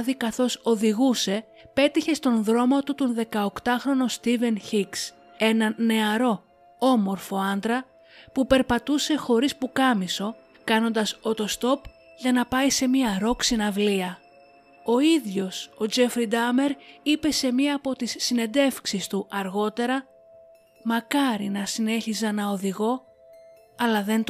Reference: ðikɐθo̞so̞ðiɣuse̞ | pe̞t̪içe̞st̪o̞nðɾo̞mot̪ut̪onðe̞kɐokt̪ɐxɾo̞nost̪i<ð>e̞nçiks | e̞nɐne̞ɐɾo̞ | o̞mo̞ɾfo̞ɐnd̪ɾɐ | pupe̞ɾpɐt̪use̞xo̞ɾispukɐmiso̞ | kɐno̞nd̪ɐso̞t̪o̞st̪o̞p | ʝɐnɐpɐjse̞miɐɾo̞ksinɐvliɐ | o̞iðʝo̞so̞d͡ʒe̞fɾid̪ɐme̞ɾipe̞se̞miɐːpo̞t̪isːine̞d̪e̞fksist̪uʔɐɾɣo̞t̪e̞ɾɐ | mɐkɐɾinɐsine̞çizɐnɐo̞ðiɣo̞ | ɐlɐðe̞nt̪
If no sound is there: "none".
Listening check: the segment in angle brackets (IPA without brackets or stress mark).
v